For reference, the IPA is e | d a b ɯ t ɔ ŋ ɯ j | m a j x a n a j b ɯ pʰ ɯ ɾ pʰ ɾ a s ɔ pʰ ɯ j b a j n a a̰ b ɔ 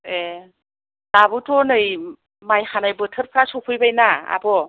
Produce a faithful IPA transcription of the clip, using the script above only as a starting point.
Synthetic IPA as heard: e | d a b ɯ t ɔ n ɯ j | m a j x a n a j b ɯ tʰ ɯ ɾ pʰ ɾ a s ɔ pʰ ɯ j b a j n a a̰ b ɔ